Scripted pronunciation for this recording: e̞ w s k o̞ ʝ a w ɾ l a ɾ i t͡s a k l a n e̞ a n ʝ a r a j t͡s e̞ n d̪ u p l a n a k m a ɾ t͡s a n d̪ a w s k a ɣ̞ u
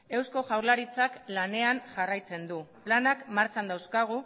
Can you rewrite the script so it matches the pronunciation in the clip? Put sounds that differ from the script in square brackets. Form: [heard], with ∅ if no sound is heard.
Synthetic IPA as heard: e̞ w s k o̞ ʝ a w ɾ l a ɾ i t͡s a k l a n e̞ a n ʝ a r a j t͡s e̞ n d̪ u p l a n a k m a ɾ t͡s a n d̪ a w s k a ɣ̞ u

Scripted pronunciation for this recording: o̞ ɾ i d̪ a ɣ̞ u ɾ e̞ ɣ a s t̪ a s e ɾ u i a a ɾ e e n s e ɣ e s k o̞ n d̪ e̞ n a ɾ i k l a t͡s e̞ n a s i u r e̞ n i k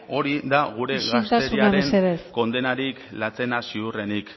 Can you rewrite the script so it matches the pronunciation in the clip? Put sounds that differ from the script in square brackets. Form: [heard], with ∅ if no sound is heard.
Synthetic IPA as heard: o̞ ɾ i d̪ a ɣ̞ u ɾ e̞ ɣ a s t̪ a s e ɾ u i a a ɾ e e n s e [ð] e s k o̞ n d̪ e̞ n a ɾ i k l a t͡s e̞ n a s i u r e̞ n i k

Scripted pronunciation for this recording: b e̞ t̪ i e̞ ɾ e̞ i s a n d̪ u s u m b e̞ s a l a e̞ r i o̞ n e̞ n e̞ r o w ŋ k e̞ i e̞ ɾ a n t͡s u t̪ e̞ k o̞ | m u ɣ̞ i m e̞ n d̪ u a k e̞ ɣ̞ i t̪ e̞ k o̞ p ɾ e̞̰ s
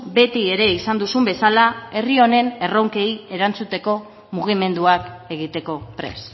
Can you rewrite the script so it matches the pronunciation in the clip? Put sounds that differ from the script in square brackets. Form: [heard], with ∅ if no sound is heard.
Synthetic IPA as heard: b e̞ t̪ i e̞ ɾ e̞ i s a n d̪ u s u m b e̞ s a l a e̞ r i o̞ n e̞ n e̞ r o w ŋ k e̞ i e̞ ɾ a n t͡s u t̪ e̞ k o̞ | m u ɣ̞ i m e̞ n d̪ u a k e̞ ɣ̞ i t̪ e̞ k o̞ p ɾ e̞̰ s

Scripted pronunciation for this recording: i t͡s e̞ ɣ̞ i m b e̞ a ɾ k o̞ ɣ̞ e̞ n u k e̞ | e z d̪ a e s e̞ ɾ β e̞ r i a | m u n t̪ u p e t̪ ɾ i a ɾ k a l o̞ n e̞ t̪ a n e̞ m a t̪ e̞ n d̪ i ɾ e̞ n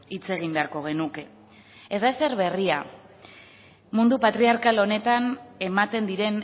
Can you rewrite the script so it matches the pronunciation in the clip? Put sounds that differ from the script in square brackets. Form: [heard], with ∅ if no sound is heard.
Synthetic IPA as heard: i t͡s e̞ ɣ̞ i m b e̞ a ɾ k o̞ ɣ̞ e̞ n u k e̞ | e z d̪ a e s e̞ ɾ β e̞ r i a | m u n [d̪] u p [a] t̪ ɾ i a ɾ k a l o̞ n e̞ t̪ a n e̞ m a t̪ e̞ n d̪ i ɾ e̞ n

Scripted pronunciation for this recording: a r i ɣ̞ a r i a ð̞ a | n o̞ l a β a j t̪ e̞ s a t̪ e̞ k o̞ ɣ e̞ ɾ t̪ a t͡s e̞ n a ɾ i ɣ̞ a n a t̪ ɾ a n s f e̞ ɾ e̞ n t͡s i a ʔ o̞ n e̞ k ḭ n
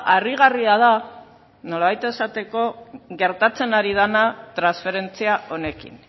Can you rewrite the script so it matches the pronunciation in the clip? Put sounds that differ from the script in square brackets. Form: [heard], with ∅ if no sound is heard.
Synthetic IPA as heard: a r i ɣ̞ a r i a ð̞ a | n o̞ l a β a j t̪ e̞ s a t̪ e̞ k o̞ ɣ e̞ ɾ t̪ a t͡s e̞ n a ɾ i [ð̞] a n a t̪ ɾ a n s f e̞ ɾ e̞ n t͡s i a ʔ o̞ n e̞ k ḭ n

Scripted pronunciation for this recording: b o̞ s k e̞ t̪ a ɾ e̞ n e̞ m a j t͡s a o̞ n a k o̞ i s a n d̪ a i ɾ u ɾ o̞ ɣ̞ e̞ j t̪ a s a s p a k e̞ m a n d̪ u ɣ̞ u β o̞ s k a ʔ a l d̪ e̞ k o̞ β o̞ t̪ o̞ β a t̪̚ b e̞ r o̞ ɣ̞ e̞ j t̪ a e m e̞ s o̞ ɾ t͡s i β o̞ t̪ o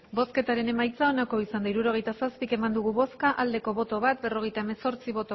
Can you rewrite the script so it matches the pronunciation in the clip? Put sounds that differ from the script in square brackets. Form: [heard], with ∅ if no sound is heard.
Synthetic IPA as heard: b o̞ s k e̞ t̪ a ɾ e̞ n e̞ m a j t͡s a o̞ n a k o̞ i s a n d̪ a i ɾ u ɾ o̞ ɣ̞ e̞ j t̪ a s a s p [i] k e̞ m a n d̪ u ɣ̞ u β o̞ s k a ʔ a l d̪ e̞ k o̞ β o̞ t̪ o̞ β a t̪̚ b e̞ r o̞ ɣ̞ e̞ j t̪ a e m e̞ s o̞ ɾ t͡s i β o̞ t̪ o

